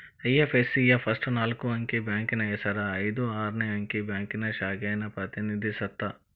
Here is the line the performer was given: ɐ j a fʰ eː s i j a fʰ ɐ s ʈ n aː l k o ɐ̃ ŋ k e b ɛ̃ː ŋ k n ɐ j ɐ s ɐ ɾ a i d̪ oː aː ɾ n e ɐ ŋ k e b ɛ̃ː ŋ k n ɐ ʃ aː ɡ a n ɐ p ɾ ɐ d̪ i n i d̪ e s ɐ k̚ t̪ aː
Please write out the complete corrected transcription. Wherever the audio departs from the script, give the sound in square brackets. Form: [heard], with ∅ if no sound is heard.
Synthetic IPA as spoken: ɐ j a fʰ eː s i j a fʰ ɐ s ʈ n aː l k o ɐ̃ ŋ k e b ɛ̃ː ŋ k n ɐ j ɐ s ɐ ɾ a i d̪ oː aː ɾ n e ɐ ŋ k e b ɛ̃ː ŋ k n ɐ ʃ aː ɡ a n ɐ p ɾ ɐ [t̪] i n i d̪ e s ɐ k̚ t̪ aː